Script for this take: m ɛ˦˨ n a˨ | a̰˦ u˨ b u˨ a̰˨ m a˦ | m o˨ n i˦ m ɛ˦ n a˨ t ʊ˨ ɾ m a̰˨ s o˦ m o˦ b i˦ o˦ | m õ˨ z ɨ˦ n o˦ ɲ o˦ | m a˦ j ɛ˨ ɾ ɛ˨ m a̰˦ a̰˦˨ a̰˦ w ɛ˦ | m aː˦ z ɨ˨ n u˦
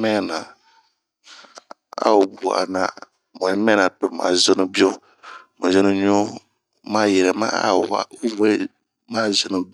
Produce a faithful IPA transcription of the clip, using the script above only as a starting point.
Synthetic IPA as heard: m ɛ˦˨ n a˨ | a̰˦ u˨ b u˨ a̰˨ n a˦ | m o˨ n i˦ m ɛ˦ n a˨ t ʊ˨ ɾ m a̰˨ z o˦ n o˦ b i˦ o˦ | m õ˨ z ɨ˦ n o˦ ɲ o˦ | m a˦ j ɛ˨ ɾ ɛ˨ m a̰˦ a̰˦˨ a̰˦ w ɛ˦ | m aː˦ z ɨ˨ n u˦